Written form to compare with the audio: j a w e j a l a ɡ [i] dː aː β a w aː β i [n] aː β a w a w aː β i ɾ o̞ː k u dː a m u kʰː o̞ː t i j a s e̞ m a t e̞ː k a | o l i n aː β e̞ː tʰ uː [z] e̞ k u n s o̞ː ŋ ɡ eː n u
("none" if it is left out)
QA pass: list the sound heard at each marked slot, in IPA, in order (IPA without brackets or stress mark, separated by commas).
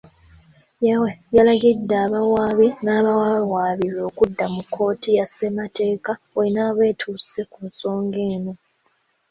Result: i, n, s